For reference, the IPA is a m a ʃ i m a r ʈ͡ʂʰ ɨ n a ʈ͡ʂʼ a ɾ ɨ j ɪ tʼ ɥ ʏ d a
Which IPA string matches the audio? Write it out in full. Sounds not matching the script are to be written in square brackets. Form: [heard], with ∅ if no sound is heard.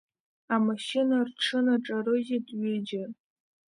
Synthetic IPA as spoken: a m a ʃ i [n] a r ʈ͡ʂʰ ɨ n a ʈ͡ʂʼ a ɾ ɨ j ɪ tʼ ɥ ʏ [d͡ʒ] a